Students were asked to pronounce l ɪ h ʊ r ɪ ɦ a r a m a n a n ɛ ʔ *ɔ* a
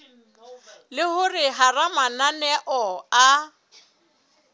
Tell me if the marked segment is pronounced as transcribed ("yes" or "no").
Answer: yes